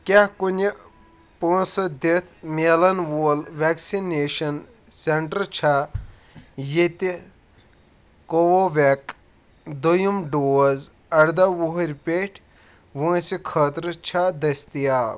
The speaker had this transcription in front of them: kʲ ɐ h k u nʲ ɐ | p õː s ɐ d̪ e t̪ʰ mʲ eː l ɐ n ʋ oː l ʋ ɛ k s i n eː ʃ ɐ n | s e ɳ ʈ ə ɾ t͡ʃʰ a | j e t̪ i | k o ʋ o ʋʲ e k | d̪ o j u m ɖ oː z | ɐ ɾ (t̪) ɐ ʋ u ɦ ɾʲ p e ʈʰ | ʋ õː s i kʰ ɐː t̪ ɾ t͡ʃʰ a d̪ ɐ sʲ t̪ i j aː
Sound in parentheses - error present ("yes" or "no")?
yes